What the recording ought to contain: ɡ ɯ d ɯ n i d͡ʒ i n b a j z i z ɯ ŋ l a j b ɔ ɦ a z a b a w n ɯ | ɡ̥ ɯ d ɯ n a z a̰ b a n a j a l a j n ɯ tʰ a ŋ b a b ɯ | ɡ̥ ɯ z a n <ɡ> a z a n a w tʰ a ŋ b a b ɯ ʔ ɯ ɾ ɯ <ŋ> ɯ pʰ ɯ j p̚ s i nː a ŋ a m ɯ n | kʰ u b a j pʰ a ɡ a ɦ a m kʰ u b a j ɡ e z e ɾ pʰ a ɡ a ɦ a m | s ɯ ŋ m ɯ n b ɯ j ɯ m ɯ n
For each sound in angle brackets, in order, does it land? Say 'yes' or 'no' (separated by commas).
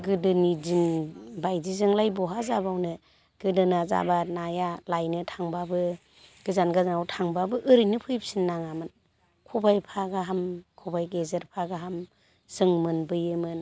yes, no